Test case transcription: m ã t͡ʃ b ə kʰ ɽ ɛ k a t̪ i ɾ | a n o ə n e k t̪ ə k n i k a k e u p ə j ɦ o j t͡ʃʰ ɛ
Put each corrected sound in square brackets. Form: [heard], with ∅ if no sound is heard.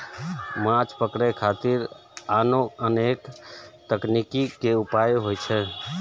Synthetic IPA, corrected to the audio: m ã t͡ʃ [p] ə [k] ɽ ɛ [kʰ] a t̪ i ɾ | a n o ə n e k t̪ ə k n i k [i] k e u p [a] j ɦ o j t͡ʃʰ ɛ